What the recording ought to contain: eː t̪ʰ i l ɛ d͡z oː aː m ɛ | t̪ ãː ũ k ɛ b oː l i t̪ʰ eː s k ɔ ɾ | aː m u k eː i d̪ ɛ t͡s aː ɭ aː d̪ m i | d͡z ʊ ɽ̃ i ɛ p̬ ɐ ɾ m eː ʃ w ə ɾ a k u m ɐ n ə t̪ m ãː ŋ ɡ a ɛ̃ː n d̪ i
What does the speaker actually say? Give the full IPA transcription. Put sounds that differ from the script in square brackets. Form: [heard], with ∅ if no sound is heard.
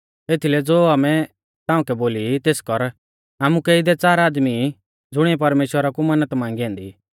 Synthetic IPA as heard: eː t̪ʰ i l ɛ d͡z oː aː m ɛ | t̪ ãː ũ k ɛ b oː l i [t̪] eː s k ɔ ɾ | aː m u k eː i d̪ ɛ t͡s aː [ɾ] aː d̪ m i | d͡z ʊ ɽ̃ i ɛ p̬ ɐ ɾ m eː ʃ w ə ɾ a k u m ɐ n ə t̪ m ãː ŋ ɡ [i] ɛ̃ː n d̪ i

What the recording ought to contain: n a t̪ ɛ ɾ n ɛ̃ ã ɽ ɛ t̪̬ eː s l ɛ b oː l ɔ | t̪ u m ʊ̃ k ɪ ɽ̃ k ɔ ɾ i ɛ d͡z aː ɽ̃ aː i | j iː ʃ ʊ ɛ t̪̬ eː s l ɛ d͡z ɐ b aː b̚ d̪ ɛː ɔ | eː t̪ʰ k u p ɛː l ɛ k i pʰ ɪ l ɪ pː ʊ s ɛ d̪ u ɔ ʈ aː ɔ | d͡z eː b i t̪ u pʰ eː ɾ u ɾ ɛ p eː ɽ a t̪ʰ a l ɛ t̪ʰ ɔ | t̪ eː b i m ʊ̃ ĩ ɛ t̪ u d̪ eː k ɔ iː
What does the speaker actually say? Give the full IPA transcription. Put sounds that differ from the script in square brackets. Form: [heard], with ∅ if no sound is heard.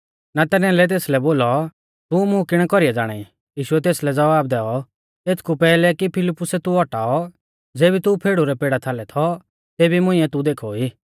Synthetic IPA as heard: n a t̪ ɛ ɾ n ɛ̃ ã [l] ɛ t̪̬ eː s l ɛ b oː l ɔ | t̪ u m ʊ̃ k ɪ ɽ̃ k ɔ ɾ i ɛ d͡z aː ɽ̃ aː i | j iː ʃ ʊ ɛ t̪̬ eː s l ɛ d͡z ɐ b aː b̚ d̪ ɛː ɔ | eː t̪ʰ k u p ɛː l ɛ k i pʰ ɪ l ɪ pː ʊ s ɛ [t̪] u ɔ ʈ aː ɔ | d͡z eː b i t̪ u pʰ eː [ɽ] u ɾ ɛ p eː ɽ a t̪ʰ a l ɛ t̪ʰ ɔ | t̪ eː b i m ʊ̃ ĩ ɛ t̪ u d̪ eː [kʰ] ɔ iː

